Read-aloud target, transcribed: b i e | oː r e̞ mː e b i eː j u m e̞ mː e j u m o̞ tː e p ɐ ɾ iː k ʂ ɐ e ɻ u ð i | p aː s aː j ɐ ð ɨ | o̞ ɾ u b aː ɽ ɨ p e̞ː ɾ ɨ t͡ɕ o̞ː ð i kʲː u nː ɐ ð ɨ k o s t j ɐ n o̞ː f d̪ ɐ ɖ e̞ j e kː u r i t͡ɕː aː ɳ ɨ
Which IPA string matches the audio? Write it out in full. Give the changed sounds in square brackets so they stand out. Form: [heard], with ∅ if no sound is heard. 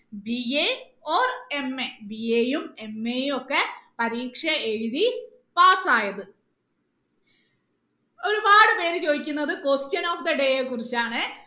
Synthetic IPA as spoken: b i e | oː r e̞ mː e b i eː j u m e̞ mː e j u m o̞ [kː] e p ɐ ɾ iː k ʂ ɐ e ɻ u ð i | p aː s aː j ɐ ð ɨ | o̞ ɾ u b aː ɽ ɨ p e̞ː ɾ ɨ t͡ɕ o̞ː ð i kʲː u nː ɐ ð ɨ k o s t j ɐ n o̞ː f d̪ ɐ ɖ e̞ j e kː u r i t͡ɕː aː ɳ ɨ